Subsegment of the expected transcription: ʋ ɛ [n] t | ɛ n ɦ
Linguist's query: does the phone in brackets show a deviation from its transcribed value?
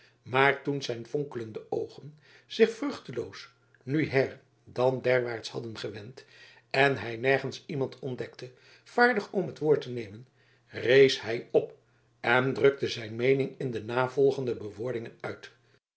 no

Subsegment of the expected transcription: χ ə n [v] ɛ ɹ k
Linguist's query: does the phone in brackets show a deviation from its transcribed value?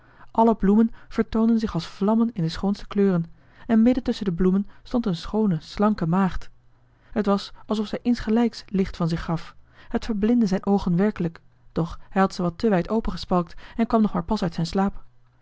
yes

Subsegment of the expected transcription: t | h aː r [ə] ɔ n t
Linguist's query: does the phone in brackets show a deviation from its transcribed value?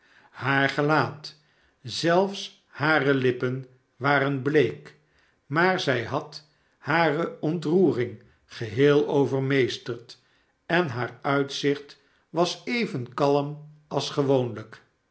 no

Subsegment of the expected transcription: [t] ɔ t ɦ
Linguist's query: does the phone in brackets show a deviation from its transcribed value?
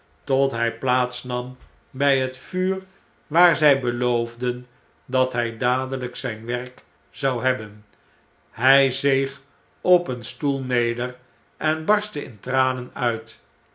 no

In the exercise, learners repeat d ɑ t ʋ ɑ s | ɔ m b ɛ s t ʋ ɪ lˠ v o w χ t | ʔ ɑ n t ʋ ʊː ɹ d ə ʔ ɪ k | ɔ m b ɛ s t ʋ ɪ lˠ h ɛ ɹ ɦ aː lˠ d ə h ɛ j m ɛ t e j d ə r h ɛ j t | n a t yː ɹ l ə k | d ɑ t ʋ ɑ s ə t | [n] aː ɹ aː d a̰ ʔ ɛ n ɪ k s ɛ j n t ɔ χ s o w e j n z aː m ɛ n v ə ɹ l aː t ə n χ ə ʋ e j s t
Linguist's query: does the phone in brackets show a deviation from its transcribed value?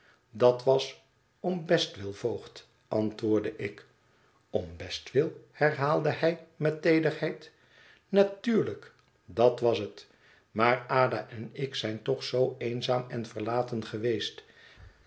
yes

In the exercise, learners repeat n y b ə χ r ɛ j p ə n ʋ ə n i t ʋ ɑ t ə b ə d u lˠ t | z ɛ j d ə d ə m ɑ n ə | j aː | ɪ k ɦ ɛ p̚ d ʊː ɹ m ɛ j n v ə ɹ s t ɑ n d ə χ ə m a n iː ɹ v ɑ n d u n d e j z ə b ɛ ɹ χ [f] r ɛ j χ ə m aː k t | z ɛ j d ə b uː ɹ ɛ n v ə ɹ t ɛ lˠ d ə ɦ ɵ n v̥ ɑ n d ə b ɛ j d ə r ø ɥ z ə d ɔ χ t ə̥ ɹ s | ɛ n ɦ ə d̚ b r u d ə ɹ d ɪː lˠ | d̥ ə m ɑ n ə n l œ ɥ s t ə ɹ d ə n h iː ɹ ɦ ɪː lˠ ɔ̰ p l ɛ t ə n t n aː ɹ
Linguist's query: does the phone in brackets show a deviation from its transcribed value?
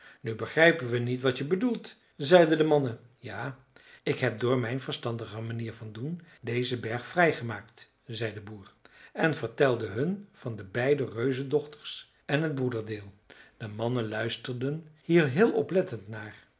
no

